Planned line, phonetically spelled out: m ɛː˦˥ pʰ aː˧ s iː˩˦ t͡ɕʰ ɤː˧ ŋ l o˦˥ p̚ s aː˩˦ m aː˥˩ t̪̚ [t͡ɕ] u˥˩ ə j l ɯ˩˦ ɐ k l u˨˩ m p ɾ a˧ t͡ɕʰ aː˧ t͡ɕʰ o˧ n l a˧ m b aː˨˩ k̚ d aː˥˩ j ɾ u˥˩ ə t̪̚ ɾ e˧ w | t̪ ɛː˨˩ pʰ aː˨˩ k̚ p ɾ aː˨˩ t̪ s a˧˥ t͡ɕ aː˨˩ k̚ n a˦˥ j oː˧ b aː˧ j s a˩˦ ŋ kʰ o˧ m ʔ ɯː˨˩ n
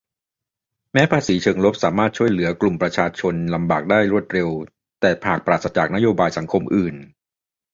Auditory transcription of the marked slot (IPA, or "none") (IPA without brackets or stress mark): t͡ɕʰ